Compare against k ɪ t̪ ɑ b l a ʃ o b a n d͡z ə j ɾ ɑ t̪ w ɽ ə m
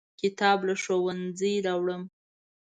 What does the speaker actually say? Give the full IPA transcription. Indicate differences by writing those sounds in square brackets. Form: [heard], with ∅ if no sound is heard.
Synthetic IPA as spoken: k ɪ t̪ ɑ b l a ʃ o [w] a n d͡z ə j ɾ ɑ [∅] w ɽ ə m